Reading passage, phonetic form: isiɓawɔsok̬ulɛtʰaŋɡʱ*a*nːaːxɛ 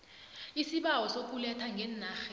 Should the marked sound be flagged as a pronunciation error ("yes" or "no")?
yes